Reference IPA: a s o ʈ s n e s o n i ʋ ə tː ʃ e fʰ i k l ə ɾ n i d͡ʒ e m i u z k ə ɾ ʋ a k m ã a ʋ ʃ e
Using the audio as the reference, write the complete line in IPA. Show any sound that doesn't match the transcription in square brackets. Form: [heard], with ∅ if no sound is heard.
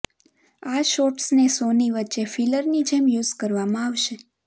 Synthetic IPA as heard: a [ʃ] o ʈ s n e s o n i ʋ ə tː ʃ e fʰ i [∅] l ə ɾ n i d͡ʒ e m [j] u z k ə ɾ ʋ a [∅] m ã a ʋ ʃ e